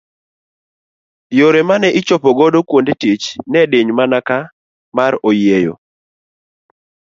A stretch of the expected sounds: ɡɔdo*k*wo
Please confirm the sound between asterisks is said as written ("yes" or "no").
yes